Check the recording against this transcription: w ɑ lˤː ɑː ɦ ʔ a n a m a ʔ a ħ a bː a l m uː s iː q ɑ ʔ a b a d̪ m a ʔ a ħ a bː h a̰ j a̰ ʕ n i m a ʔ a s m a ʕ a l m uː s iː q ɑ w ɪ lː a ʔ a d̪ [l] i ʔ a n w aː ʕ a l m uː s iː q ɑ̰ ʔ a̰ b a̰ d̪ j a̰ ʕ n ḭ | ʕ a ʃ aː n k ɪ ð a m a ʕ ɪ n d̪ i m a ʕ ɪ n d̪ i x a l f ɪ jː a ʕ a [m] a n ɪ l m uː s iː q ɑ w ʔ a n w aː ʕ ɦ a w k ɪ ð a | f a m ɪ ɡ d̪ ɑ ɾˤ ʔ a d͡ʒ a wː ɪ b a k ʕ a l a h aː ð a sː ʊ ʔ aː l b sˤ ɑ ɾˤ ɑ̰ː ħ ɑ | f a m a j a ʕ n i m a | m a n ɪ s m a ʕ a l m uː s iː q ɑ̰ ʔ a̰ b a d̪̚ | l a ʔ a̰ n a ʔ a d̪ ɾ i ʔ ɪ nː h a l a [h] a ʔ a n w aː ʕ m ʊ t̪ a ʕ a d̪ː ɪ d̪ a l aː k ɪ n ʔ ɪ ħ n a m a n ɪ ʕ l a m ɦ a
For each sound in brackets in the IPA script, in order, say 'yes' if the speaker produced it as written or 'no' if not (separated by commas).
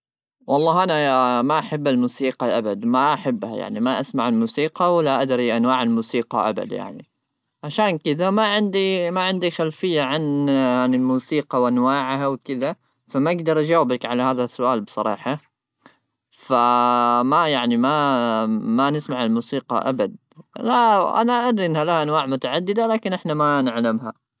no, no, yes